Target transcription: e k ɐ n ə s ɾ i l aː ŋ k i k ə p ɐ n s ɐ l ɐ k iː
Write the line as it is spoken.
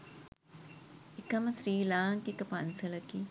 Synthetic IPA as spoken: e k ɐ m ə s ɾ iː l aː ŋ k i k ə p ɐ n s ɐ l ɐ k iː